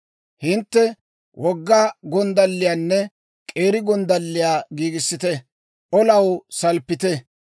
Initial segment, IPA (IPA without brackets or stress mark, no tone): h